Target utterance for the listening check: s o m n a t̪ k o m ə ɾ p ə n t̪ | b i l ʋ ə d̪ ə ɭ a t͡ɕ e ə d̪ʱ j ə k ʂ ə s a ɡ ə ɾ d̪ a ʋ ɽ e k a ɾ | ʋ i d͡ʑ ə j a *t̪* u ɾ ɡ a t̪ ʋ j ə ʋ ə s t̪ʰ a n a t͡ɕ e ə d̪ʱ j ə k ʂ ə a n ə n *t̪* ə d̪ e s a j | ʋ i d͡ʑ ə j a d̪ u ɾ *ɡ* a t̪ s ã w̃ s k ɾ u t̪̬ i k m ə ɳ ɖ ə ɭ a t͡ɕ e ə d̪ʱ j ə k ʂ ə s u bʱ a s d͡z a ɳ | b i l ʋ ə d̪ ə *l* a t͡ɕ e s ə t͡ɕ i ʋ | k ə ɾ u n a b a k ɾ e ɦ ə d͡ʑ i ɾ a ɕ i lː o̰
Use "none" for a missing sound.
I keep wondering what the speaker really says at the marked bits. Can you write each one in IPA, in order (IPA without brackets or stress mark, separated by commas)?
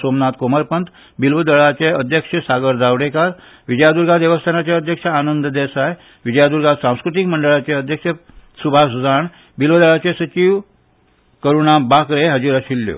d̪, d̪, ɡ, ɭ